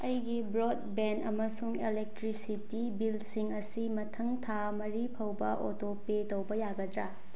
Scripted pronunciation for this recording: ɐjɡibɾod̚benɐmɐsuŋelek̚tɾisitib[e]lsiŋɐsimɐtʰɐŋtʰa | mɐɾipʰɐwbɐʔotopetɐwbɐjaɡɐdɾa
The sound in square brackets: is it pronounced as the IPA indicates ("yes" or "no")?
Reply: no